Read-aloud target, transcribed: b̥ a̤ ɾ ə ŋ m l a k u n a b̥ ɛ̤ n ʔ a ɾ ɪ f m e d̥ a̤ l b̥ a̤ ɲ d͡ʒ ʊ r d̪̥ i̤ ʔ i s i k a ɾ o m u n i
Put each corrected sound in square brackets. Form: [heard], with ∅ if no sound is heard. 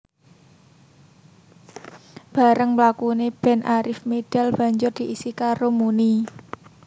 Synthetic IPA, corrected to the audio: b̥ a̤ ɾ ə ŋ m l a k u n [e] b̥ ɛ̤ n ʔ a ɾ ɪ f m e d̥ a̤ l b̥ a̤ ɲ d͡ʒ ʊ r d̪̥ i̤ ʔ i s i k a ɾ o m u n i